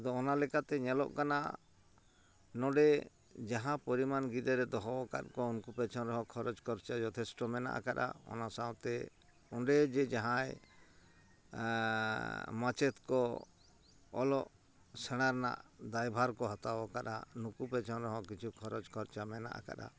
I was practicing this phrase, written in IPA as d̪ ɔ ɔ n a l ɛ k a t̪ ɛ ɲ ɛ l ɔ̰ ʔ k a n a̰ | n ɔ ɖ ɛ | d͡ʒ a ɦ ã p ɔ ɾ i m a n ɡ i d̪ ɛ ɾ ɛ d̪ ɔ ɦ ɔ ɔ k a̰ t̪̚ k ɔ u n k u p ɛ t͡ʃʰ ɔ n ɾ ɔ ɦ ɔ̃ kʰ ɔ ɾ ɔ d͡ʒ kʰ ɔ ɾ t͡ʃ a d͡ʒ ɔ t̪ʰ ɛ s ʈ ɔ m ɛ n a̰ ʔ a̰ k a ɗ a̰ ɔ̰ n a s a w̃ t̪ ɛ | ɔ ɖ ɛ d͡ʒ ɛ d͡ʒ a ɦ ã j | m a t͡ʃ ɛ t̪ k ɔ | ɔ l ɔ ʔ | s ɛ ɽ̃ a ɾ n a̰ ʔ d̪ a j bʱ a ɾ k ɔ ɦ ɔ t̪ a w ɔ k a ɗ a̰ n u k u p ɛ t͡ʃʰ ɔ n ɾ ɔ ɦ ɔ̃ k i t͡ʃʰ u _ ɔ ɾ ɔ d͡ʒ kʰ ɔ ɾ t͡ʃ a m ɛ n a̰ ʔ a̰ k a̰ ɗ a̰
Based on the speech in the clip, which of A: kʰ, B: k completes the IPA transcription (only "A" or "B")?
A